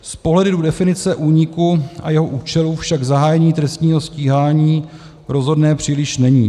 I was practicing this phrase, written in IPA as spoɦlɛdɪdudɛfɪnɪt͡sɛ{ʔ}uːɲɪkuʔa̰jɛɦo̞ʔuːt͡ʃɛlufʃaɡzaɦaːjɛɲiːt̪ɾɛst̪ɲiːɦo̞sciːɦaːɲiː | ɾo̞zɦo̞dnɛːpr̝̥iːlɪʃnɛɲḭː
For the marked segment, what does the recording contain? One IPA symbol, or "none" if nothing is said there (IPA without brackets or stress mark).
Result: ʔ